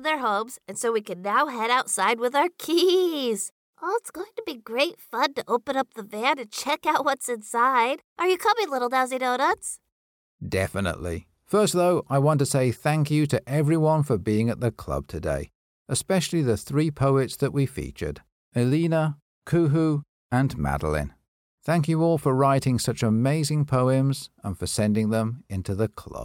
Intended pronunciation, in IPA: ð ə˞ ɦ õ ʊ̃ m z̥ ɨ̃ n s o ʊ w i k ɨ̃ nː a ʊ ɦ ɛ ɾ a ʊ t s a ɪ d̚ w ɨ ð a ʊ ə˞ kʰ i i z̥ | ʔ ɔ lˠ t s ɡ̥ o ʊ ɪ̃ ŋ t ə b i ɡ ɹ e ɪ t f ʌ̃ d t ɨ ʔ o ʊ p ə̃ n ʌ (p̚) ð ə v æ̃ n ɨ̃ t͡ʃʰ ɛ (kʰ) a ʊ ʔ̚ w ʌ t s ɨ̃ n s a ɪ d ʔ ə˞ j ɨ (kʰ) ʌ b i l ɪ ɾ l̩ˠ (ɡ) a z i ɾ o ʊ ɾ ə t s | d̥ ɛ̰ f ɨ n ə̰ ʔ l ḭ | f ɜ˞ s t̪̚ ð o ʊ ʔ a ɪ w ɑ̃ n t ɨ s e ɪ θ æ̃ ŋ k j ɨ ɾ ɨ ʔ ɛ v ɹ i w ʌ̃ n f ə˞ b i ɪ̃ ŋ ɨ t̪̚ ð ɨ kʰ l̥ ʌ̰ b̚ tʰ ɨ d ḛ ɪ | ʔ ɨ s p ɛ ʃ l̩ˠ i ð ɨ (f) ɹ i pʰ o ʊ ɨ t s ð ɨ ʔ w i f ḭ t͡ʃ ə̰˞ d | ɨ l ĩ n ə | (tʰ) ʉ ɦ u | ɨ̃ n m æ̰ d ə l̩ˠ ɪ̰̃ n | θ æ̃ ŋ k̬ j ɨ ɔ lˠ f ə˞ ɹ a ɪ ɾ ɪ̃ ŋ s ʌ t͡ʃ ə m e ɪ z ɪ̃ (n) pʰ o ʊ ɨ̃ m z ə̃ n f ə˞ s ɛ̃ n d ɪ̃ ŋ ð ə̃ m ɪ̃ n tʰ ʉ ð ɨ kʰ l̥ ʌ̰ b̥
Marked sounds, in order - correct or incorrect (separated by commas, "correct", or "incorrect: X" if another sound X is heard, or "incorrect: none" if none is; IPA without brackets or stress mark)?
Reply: correct, incorrect: k, correct, incorrect: d, incorrect: θ, incorrect: kʰ, incorrect: ŋ